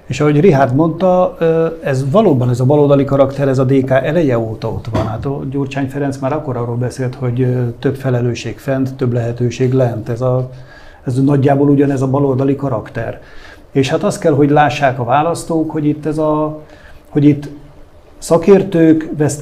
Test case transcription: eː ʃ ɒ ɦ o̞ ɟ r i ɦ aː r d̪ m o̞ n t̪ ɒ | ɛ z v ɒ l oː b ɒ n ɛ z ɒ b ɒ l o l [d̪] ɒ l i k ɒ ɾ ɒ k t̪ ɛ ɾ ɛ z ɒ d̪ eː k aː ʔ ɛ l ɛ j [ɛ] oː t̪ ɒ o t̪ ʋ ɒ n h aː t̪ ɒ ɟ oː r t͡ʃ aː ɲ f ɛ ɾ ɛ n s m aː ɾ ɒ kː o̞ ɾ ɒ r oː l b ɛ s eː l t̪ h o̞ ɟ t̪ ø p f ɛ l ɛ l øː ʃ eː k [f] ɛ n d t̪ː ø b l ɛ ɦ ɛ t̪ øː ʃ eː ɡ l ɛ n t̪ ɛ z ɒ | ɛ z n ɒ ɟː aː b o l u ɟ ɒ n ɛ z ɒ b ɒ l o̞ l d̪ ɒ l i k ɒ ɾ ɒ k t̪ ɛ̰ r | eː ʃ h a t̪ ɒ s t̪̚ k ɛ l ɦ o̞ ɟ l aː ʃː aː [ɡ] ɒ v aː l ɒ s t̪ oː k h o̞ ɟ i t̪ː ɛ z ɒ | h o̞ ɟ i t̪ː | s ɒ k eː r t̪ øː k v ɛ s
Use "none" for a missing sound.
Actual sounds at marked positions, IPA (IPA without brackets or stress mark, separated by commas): d̪, ɛ, f, k